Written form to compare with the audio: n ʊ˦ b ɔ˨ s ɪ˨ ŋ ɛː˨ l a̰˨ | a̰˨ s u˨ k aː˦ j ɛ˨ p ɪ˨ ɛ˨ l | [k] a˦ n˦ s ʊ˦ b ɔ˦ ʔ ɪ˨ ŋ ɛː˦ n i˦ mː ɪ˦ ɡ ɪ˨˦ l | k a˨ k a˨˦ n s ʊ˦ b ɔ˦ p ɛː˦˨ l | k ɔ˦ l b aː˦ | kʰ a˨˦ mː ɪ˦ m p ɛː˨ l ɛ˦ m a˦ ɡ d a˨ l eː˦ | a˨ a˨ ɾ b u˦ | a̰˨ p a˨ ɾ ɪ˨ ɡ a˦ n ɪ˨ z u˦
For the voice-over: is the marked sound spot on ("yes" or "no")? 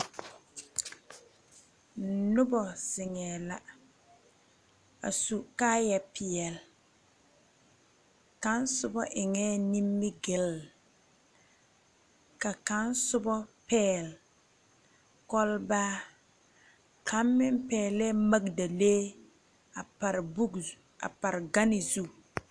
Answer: yes